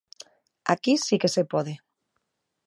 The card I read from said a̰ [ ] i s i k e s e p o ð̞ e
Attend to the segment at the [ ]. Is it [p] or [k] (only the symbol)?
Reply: k